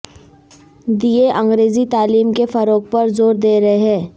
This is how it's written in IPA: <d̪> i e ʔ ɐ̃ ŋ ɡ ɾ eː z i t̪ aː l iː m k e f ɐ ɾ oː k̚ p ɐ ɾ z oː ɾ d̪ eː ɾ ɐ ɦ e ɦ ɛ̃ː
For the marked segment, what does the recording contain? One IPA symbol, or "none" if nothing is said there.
d̪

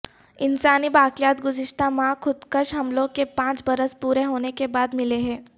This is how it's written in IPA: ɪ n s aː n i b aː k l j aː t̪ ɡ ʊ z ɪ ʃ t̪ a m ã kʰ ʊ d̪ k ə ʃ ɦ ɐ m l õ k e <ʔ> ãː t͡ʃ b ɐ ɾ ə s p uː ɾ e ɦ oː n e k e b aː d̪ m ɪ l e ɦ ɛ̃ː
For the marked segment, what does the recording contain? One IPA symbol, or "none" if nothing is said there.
p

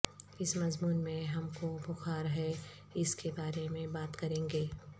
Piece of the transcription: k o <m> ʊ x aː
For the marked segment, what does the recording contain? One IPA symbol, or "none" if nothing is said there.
b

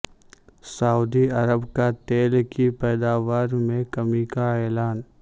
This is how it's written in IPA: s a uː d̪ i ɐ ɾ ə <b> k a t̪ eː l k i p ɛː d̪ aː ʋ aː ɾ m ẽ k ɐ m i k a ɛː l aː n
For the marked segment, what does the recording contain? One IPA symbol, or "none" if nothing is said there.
b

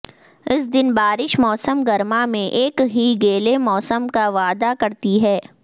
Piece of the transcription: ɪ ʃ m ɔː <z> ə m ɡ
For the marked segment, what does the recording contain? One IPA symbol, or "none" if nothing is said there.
s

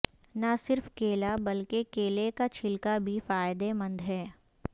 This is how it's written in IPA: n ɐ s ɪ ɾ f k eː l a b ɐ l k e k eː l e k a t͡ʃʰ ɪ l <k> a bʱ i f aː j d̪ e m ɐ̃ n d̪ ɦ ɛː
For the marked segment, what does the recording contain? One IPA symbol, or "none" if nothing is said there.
k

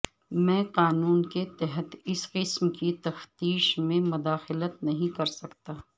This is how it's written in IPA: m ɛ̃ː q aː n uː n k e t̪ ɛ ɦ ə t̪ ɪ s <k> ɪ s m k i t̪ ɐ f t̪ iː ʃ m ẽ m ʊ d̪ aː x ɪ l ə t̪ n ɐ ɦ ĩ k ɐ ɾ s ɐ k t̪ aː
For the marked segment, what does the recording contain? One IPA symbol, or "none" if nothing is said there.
q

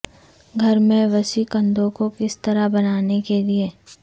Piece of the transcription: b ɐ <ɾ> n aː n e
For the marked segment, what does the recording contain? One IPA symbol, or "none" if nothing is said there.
none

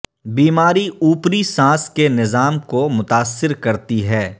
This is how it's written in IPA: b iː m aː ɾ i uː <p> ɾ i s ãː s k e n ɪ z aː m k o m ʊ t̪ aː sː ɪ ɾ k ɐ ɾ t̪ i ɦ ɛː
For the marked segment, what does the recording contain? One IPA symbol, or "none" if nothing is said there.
p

